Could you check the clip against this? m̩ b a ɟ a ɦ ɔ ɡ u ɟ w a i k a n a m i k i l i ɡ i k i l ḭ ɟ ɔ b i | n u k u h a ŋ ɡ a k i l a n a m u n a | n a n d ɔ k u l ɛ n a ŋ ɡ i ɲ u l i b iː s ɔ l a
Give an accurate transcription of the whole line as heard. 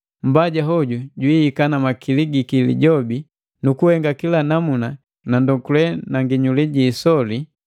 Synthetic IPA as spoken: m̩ b a ɟ a ɦ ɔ ɟ u ɟ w i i k a n a m a k i l i ɡ i k i l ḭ ɟ ɔ b i | n u k u h ɛ ŋ ɡ a k i l a n a m u n a | n a n d ɔ k u l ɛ n a ŋ ɡ i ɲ u l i ɟ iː s ɔ l i